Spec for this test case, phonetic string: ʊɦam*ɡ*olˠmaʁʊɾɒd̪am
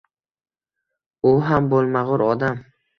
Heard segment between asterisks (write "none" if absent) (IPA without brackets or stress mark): b